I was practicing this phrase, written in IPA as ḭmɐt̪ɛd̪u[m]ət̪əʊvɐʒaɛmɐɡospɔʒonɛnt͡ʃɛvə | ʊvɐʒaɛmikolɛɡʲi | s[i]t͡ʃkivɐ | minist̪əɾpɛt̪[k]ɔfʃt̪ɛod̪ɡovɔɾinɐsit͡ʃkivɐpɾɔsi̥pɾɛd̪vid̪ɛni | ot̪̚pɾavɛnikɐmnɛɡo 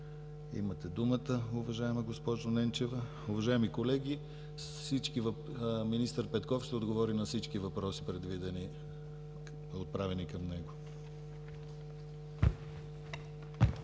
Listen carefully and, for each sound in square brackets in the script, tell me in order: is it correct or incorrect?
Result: correct, correct, correct

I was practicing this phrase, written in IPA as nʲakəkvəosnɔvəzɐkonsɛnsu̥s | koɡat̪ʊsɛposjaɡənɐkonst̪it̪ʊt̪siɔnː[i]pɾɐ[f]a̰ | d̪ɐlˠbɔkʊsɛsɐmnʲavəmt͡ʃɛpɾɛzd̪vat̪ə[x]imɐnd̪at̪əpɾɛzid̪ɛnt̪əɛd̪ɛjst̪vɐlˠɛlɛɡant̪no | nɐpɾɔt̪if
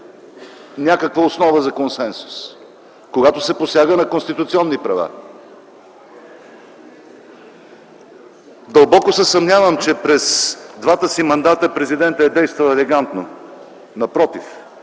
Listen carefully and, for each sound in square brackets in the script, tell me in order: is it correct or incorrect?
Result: correct, incorrect: v, incorrect: s

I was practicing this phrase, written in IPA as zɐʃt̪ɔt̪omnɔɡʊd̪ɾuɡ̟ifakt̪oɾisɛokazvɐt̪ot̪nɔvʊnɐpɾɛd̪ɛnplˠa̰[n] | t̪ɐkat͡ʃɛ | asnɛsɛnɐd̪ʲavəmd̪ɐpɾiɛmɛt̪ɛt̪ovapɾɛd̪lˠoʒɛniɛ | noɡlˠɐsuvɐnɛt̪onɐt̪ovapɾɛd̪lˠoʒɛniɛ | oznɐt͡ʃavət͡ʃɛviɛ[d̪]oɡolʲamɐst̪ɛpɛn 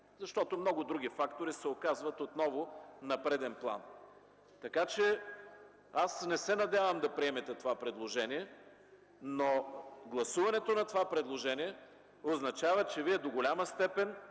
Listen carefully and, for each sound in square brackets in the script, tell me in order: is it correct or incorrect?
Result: correct, correct

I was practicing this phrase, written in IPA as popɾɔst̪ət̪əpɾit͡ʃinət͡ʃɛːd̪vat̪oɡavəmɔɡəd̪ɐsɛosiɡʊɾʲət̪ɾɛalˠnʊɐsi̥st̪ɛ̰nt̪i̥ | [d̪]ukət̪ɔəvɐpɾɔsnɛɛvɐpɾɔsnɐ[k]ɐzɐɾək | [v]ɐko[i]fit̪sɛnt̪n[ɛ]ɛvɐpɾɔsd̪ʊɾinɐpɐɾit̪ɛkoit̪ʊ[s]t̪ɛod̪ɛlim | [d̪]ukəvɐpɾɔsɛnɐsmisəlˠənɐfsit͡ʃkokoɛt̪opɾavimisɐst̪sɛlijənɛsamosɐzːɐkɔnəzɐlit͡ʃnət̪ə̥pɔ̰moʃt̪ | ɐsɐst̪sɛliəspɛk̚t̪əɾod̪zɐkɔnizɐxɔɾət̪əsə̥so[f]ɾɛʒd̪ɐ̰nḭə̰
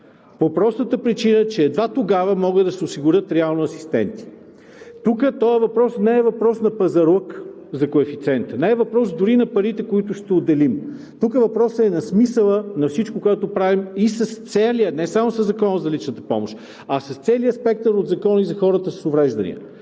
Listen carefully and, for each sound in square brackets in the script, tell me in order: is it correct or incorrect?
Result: incorrect: t̪, incorrect: p, incorrect: z, incorrect: ɛ, correct, incorrect: ʃ, incorrect: t̪, incorrect: v

